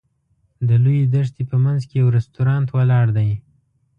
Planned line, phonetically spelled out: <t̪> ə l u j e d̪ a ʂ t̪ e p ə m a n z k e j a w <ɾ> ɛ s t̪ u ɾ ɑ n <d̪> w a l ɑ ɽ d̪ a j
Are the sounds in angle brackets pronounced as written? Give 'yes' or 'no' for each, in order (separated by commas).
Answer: no, yes, no